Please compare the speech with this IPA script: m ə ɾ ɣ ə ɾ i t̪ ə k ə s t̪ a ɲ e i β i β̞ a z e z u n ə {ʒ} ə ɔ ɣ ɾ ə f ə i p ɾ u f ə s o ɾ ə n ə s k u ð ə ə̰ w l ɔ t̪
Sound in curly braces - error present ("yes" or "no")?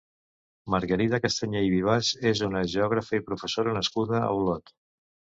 no